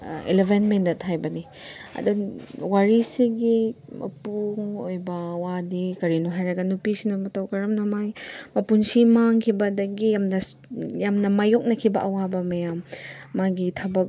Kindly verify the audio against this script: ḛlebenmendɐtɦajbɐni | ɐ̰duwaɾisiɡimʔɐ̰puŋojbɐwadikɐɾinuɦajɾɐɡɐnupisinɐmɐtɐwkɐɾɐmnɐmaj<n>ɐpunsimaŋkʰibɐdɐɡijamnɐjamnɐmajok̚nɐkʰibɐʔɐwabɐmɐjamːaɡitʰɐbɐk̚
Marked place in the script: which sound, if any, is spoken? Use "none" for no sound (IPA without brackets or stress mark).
m